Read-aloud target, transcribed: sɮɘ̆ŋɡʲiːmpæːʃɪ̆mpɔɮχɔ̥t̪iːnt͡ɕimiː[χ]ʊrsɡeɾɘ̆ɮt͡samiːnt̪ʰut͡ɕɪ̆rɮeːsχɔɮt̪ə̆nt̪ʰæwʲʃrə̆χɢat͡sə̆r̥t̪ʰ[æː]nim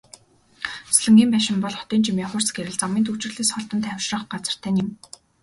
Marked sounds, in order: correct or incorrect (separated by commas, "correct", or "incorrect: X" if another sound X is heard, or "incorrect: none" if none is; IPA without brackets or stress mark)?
correct, correct